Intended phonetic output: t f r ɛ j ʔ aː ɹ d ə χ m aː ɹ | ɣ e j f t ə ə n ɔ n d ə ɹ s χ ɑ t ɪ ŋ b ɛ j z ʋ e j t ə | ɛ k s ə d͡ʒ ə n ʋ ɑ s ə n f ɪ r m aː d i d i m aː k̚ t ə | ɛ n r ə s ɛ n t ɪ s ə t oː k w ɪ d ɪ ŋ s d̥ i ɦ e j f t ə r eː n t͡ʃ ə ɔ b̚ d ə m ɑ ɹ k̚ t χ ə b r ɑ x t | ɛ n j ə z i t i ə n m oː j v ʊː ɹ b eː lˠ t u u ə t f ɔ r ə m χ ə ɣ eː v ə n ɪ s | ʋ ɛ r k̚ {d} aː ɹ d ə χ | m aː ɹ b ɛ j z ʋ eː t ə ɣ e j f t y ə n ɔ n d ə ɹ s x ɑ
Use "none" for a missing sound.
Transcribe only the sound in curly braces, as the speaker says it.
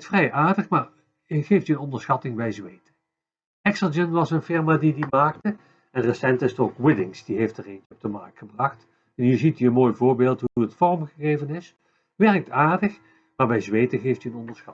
t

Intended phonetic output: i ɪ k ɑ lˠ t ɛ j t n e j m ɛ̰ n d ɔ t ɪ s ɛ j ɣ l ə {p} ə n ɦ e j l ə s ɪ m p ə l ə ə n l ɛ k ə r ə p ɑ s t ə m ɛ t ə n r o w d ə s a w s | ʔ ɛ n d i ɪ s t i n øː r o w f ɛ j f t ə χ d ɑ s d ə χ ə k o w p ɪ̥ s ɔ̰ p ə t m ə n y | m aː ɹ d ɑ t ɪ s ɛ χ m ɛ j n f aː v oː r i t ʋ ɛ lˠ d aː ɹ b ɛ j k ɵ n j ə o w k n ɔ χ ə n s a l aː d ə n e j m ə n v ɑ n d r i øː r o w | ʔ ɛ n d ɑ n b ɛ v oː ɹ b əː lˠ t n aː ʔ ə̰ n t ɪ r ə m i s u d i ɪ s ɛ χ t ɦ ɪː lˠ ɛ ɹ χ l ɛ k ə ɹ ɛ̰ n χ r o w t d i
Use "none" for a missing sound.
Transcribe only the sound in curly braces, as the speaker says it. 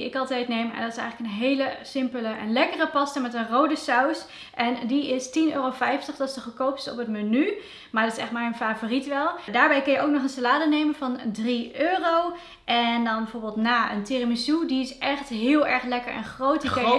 k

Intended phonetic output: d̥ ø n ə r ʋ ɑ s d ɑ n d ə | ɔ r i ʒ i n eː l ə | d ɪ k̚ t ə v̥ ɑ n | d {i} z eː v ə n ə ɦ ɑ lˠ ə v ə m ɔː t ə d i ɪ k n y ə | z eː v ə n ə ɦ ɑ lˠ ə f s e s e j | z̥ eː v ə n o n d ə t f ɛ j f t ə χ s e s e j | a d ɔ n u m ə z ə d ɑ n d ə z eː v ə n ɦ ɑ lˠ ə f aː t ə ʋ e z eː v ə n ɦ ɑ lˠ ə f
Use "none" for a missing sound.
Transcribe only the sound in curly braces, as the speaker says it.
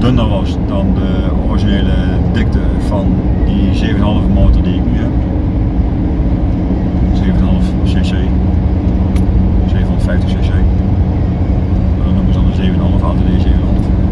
i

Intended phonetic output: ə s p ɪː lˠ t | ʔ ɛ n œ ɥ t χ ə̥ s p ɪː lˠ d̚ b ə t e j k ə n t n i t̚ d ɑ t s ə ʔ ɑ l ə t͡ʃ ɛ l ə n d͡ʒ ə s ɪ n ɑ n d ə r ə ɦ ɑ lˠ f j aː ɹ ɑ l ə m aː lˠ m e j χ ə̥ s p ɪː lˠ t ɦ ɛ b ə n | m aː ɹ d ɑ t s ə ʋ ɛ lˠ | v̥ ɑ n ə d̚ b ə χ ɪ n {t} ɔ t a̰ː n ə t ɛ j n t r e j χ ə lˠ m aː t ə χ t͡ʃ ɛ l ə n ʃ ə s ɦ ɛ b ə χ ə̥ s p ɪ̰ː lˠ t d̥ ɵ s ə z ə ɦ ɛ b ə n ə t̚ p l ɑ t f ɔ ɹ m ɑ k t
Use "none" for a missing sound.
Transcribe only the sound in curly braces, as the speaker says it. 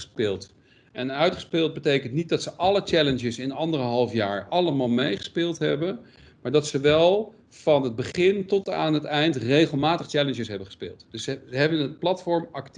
t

